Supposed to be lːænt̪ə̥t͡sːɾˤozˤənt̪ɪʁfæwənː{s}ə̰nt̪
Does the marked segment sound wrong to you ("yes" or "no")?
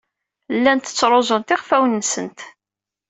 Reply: no